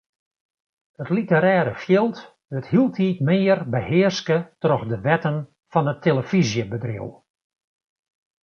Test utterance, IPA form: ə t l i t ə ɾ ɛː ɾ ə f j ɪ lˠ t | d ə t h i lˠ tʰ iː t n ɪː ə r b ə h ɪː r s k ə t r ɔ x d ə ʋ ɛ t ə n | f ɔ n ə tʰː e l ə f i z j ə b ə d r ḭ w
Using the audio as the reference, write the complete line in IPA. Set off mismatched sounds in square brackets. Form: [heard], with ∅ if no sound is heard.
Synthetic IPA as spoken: ə t l i t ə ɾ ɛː ɾ ə f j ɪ lˠ t | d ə t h i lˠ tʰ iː t [m] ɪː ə r b ə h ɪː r s k ə t r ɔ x d ə ʋ ɛ t ə n | f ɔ n ə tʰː e l ə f i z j ə b ə d r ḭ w